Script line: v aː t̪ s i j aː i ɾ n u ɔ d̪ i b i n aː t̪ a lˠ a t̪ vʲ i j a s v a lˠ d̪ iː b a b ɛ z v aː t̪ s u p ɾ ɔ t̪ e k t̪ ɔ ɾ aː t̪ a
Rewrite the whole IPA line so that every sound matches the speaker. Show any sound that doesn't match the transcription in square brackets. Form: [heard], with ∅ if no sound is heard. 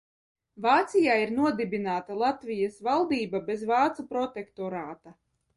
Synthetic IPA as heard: v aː t̪ s i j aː i ɾ n u ɔ d̪ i b i n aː t̪ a lˠ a t̪ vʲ i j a s v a lˠ d̪ iː b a b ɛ z v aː t̪ s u p ɾ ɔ t̪ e k t̪ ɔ ɾ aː t̪ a